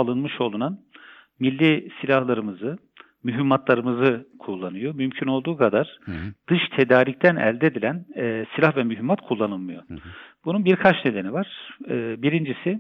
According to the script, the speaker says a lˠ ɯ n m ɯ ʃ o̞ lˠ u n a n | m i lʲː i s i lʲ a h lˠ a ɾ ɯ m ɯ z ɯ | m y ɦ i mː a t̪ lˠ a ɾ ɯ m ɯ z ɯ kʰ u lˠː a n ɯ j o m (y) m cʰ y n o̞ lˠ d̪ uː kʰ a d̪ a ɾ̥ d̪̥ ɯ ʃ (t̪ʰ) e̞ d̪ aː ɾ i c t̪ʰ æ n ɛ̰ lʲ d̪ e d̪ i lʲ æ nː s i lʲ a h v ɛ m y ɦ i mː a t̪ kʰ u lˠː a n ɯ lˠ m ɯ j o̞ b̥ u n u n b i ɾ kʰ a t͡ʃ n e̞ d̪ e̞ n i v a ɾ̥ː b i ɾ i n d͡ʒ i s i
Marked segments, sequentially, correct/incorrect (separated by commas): correct, correct